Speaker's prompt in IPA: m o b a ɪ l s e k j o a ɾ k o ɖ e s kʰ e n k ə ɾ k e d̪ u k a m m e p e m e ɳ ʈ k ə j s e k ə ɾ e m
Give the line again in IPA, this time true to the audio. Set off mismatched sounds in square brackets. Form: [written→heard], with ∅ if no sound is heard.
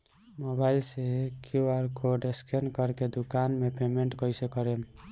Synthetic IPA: m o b a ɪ l s e k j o a ɾ k o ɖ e s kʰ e n k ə ɾ k e d̪ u k a [m→n] m e p e m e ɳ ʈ k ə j s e k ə ɾ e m